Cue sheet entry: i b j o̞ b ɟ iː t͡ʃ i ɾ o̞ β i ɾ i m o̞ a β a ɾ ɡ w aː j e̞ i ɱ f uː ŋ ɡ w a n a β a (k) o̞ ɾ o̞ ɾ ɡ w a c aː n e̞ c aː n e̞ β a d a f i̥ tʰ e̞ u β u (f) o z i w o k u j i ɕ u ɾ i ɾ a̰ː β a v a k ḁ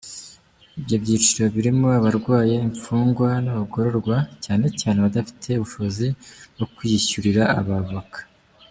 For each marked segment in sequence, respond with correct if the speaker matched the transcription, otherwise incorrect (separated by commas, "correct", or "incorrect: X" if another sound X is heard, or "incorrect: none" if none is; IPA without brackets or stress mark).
incorrect: ɡ, incorrect: ʃ